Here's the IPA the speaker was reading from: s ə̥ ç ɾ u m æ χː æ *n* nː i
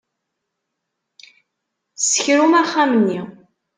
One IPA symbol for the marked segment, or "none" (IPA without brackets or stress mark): m